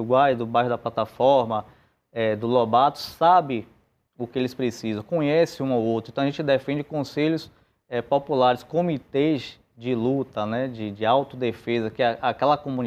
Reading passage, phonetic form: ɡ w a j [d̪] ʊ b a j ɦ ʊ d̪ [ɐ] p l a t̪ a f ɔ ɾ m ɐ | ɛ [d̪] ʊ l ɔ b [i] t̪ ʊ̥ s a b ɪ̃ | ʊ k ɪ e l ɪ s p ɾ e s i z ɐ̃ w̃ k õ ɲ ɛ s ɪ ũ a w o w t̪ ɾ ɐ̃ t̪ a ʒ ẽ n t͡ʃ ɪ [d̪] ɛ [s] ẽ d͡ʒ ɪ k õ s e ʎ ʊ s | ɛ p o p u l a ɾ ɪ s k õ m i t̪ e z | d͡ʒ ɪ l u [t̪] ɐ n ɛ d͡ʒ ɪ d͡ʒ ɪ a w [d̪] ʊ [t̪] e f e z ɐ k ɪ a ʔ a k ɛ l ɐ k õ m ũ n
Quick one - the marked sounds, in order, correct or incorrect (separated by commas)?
correct, correct, correct, incorrect, correct, incorrect, correct, incorrect, incorrect